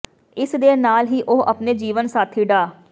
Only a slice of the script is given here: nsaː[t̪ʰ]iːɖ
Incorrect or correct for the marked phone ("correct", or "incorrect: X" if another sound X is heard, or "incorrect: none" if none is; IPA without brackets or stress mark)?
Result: correct